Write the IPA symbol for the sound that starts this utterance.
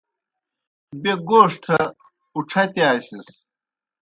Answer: b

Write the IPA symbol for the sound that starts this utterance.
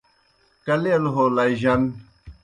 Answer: k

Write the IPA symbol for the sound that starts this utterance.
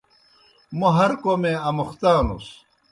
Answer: m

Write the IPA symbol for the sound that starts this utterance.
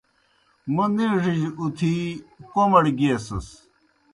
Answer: m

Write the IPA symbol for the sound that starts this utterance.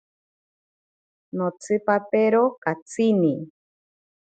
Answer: n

